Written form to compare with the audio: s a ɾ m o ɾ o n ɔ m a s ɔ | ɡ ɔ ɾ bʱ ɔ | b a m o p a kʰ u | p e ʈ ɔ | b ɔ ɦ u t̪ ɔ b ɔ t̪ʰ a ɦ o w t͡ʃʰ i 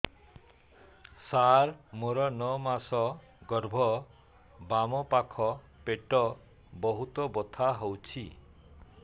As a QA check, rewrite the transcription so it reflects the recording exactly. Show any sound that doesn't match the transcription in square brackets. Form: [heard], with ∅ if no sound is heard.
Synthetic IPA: s a ɾ m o ɾ [ɔ] n ɔ m a s ɔ | ɡ ɔ ɾ bʱ ɔ | b a m [ɔ] p a kʰ [ɔ] | p e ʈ ɔ | b ɔ ɦ u t̪ ɔ b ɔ t̪ʰ a ɦ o w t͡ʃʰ i